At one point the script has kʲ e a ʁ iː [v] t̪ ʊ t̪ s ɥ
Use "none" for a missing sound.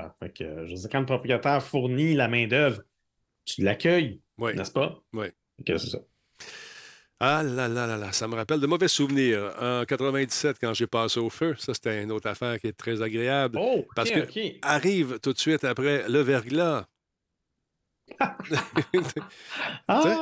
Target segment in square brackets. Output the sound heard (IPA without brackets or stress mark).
v